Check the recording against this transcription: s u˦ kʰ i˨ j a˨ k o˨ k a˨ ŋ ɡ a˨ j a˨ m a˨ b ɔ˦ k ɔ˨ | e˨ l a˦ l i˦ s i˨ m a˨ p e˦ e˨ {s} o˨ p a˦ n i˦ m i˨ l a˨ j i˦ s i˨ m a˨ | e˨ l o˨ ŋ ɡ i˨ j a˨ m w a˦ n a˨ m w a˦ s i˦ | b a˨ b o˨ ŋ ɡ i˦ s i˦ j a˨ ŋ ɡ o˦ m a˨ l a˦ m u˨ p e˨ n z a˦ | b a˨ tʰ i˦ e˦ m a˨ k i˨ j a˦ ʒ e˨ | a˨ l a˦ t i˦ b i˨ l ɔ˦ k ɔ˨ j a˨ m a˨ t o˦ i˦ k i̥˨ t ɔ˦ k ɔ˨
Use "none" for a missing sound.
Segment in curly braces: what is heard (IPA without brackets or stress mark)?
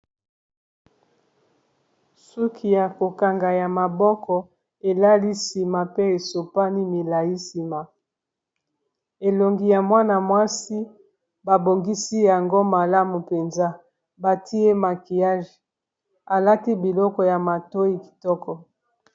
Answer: s